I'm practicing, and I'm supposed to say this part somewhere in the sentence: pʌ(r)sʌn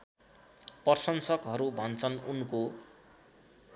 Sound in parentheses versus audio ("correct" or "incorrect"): correct